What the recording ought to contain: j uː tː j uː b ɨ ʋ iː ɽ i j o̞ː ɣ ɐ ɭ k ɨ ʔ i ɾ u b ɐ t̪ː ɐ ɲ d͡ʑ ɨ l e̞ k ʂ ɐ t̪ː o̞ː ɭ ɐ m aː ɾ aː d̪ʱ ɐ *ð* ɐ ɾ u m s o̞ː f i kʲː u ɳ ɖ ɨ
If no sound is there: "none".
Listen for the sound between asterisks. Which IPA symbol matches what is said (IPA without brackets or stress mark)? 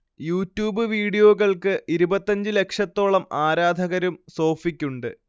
ɣ